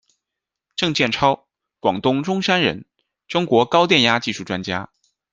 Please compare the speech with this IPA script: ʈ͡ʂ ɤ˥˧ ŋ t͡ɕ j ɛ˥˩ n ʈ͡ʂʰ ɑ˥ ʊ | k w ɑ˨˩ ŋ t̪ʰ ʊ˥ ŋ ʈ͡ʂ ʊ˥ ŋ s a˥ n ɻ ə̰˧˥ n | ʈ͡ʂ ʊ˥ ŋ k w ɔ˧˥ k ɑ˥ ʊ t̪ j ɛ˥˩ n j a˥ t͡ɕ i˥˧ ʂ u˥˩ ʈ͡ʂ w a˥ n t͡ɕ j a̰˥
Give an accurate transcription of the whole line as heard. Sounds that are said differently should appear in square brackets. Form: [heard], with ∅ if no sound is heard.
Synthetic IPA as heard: ʈ͡ʂ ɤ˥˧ ŋ t͡ɕ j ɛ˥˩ n ʈ͡ʂʰ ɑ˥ ʊ | k w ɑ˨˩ ŋ [t̪] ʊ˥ ŋ ʈ͡ʂ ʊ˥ ŋ [ʂ] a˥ n ɻ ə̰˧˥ n | ʈ͡ʂ ʊ˥ ŋ k w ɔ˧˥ k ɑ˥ ʊ t̪ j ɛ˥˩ n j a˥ t͡ɕ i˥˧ ʂ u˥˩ ʈ͡ʂ w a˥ n t͡ɕ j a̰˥